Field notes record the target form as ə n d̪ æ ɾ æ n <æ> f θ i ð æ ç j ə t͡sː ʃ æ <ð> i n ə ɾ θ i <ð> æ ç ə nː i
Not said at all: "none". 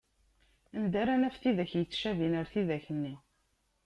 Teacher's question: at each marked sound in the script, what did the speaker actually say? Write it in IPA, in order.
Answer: æ, v, ð

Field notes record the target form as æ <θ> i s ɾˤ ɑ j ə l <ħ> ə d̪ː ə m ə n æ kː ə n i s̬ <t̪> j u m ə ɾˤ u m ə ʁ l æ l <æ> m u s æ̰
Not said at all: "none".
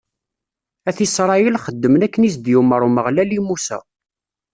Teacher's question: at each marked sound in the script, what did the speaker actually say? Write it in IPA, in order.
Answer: θ, χ, d̪, i

